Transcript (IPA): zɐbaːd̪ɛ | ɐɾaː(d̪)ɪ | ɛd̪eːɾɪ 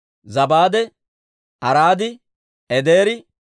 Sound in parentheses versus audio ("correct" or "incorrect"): correct